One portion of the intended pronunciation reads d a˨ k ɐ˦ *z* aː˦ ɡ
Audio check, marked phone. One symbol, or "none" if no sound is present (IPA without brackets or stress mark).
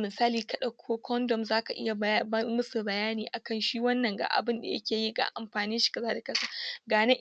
s